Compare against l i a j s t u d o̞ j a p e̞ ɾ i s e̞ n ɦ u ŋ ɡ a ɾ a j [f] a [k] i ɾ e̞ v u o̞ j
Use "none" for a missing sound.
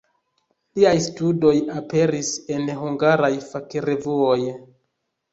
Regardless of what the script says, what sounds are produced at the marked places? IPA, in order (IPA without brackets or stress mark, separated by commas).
f, k